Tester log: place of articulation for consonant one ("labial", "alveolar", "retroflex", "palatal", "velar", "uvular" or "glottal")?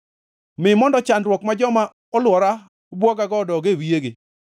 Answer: labial